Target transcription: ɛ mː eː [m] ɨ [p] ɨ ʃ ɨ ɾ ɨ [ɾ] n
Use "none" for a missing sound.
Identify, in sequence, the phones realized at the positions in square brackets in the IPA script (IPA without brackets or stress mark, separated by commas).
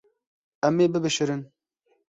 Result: b, b, none